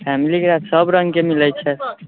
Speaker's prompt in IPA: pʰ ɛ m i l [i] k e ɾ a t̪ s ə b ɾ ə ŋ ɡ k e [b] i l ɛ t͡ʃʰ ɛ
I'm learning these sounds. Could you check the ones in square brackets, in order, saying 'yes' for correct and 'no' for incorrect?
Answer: yes, no

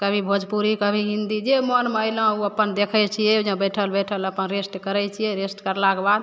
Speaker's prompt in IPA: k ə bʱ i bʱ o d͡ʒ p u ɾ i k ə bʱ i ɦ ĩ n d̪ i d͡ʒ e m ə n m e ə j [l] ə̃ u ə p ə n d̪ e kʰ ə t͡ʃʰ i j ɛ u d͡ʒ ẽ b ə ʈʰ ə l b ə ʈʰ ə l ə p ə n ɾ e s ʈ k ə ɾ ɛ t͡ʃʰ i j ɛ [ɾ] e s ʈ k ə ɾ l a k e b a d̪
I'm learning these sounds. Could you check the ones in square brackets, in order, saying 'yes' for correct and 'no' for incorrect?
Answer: yes, yes

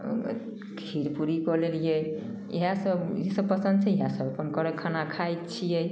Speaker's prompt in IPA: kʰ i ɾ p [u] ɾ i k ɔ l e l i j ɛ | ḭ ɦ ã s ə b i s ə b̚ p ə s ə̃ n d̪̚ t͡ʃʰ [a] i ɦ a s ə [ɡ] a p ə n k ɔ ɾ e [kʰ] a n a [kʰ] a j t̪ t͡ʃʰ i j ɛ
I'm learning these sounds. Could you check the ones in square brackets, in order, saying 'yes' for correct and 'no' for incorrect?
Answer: yes, no, no, yes, yes

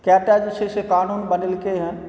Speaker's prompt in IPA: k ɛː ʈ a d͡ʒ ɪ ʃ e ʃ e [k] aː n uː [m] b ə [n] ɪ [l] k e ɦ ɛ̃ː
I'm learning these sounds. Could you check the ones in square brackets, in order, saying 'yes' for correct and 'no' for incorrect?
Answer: yes, no, yes, yes

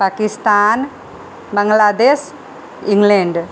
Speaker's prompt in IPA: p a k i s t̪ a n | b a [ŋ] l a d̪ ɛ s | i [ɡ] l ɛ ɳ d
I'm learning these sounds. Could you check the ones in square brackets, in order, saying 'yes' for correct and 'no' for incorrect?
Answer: yes, no

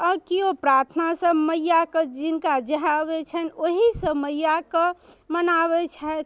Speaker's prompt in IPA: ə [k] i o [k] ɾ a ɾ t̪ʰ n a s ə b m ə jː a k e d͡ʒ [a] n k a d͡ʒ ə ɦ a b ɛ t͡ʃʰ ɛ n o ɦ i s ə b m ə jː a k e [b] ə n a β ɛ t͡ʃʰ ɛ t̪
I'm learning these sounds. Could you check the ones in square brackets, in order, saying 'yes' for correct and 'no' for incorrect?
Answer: yes, no, no, no

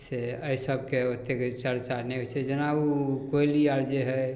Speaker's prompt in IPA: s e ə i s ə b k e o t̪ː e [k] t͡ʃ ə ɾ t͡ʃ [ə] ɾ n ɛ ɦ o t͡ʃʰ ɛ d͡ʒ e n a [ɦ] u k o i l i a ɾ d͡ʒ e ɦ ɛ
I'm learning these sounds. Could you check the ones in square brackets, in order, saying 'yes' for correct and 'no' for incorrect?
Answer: yes, no, no

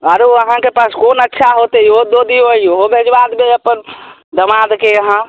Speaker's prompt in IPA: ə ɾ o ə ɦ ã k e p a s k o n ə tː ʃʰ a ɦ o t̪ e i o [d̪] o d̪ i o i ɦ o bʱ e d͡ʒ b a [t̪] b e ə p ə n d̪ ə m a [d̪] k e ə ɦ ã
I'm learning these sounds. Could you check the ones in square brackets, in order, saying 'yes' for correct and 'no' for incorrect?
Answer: yes, no, yes

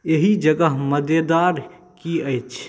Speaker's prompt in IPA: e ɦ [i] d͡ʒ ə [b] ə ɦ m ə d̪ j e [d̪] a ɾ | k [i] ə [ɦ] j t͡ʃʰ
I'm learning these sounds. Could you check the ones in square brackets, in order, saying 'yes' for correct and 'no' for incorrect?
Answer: yes, no, yes, yes, no

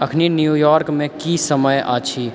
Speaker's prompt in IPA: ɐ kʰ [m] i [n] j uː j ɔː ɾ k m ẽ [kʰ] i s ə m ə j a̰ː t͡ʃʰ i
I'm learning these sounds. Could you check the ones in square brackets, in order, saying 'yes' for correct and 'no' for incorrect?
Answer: no, yes, no

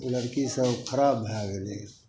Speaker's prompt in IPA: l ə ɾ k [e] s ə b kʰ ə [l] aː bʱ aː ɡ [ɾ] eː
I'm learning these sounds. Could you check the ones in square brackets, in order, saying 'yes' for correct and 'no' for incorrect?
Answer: no, no, no

